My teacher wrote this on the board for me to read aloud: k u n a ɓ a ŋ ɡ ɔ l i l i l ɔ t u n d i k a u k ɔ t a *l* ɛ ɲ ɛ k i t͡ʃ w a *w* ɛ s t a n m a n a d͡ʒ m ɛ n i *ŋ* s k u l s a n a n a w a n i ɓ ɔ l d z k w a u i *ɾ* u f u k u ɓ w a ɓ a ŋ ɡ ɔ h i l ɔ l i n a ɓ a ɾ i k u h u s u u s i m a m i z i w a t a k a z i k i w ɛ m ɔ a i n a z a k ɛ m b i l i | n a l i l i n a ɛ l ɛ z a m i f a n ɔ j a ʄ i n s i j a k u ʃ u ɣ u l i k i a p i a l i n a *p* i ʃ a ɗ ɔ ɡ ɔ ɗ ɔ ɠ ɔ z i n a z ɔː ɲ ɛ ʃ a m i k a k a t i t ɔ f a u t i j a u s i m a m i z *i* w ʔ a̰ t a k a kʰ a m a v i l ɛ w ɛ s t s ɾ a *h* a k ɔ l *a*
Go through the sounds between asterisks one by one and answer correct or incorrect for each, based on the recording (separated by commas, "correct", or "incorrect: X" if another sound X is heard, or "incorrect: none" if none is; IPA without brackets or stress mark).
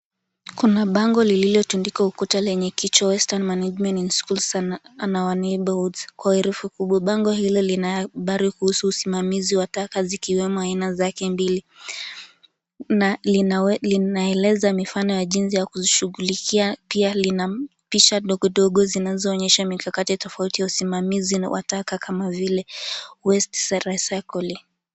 correct, correct, incorrect: n, correct, correct, correct, incorrect: s, incorrect: i